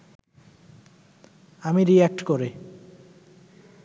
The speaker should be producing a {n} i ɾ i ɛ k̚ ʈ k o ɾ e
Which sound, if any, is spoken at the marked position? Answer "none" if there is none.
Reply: m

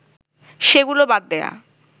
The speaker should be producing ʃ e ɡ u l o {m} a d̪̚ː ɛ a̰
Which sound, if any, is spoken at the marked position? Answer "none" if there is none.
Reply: b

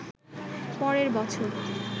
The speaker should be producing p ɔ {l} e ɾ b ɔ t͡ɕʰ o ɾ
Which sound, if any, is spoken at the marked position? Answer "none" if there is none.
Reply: ɾ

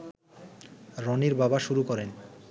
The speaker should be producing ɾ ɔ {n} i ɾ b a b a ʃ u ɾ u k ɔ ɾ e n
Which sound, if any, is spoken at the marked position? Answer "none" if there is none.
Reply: n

